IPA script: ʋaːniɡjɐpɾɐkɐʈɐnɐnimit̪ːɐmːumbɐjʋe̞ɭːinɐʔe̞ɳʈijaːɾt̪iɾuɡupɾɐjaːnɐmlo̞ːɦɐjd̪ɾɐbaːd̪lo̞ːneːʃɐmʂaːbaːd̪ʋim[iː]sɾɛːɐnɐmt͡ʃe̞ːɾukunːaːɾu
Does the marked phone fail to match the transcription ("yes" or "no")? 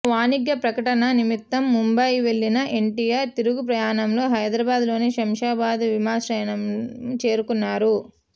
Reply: yes